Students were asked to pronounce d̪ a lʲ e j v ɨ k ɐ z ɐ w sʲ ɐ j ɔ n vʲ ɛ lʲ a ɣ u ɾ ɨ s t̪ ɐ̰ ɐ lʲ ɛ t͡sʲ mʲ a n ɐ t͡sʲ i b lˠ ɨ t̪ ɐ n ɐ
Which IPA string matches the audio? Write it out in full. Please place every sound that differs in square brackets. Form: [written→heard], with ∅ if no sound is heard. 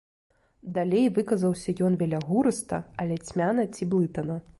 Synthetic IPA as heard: d̪ a lʲ e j v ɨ k ɐ z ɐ w sʲ ɐ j ɔ n vʲ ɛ lʲ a ɣ u ɾ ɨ s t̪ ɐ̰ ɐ lʲ ɛ t͡sʲ mʲ a n ɐ t͡sʲ i b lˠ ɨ t̪ ɐ n ɐ